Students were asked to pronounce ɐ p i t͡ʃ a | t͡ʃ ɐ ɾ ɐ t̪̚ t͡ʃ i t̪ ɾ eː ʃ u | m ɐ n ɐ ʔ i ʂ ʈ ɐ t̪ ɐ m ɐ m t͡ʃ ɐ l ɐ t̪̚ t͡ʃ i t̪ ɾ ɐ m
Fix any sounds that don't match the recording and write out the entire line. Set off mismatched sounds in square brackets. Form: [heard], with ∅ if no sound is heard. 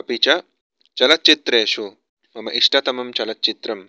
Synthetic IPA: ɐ p i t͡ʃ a | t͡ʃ ɐ [l] ɐ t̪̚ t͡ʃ i t̪ ɾ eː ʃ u | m ɐ [m] ɐ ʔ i ʂ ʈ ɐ t̪ ɐ m ɐ m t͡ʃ ɐ l ɐ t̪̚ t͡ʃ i t̪ ɾ ɐ m